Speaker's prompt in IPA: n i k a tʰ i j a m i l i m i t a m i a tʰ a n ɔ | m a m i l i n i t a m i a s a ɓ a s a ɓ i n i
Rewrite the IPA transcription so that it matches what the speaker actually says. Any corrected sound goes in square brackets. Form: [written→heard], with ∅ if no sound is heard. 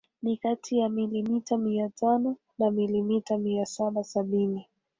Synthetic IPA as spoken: n i k a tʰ i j a m i l i m i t a m i a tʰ a n ɔ | [m→n] a m i l i [n→m] i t a m i a s a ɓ a s a ɓ i n i